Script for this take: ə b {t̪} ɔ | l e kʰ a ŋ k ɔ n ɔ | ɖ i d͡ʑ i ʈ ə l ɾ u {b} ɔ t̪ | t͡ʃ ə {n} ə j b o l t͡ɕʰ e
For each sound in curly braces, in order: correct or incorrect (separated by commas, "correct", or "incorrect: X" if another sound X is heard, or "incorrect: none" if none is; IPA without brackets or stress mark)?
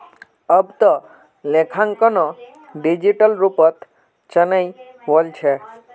correct, incorrect: p, correct